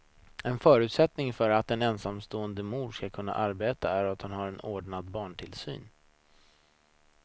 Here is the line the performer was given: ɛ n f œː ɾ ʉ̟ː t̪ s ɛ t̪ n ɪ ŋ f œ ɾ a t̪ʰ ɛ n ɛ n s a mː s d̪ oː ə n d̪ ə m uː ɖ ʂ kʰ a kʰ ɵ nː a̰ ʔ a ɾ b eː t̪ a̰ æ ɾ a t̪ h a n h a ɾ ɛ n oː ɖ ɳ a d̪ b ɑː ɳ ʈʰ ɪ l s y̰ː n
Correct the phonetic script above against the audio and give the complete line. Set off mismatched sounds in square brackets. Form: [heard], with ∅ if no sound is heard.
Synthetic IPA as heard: ɛ n f œː ɾ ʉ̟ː t̪ s ɛ t̪ n ɪ ŋ f œ ɾ a [t̪] ɛ n ɛ n s a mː s [t̪] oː ə n d̪ ə m uː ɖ ʂ [k] a kʰ ɵ nː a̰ ʔ a ɾ b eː t̪ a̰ æ ɾ a t̪ h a n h a ɾ ɛ n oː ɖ ɳ a d̪ b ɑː ɳ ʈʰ ɪ l s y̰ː n